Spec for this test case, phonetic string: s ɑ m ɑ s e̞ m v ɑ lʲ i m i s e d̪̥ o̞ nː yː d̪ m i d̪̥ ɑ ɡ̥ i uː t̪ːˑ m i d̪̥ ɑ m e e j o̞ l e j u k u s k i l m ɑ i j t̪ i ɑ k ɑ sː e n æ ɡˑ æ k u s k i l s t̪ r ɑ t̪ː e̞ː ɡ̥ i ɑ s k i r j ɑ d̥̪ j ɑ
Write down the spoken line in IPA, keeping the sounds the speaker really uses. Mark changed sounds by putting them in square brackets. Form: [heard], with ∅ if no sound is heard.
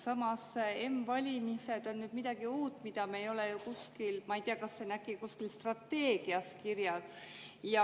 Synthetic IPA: s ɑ m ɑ s e̞ m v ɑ lʲ i m i s e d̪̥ o̞ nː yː d̪ m i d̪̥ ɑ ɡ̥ i uː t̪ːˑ m i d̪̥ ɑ m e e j o̞ l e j u k u s k i l m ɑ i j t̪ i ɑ k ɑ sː e n æ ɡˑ [i] k u s k i l s t̪ r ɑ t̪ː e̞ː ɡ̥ i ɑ s k i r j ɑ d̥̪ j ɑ